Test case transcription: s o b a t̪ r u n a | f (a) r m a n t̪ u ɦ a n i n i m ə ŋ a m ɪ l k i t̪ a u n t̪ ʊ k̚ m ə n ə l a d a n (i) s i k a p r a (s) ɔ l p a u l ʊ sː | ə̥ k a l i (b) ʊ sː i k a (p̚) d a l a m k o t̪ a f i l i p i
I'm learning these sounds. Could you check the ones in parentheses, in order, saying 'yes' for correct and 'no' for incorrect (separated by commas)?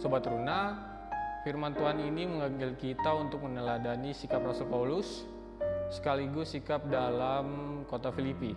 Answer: no, yes, yes, no, yes